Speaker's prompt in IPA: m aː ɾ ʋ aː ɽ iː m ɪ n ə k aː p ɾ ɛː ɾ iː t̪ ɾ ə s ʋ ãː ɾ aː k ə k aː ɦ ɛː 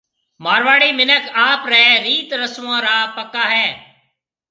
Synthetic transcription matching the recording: m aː ɾ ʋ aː ɽ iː m ɪ n ə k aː p ɾ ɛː ɾ iː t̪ ɾ ə s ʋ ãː ɾ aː p ə k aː ɦ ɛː